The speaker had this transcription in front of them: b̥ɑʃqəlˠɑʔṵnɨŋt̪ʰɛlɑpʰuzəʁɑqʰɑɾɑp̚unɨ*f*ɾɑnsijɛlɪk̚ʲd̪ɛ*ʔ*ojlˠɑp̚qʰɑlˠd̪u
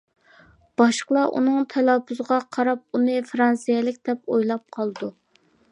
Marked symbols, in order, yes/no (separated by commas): yes, no